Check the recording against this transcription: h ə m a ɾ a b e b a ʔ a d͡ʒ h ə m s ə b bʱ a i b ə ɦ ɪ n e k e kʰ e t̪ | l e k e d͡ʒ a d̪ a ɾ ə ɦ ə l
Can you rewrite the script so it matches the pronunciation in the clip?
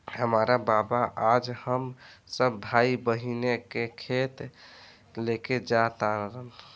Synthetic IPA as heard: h ə m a ɾ a b a b a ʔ a d͡ʒ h ə m s ə b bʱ a i b ə ɦ i n e k e kʰ e t̪ | l e k e d͡ʒ a t̪ a ɾ ə ɦ ə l